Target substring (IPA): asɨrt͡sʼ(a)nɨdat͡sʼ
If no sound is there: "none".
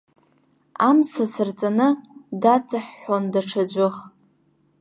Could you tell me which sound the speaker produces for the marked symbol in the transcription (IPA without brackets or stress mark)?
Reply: a